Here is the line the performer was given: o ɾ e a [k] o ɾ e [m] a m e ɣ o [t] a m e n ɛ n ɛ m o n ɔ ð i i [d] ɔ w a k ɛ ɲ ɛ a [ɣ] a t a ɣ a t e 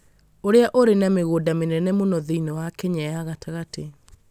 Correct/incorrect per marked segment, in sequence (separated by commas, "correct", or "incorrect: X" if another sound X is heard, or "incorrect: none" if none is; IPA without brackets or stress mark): incorrect: ʔ, incorrect: n, incorrect: d, incorrect: n, correct